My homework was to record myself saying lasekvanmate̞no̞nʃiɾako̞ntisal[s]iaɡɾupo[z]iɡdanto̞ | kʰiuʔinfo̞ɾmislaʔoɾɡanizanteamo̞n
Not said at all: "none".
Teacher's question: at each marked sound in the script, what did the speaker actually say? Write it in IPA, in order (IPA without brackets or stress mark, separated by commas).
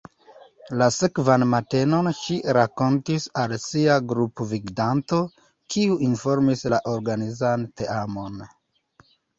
s, v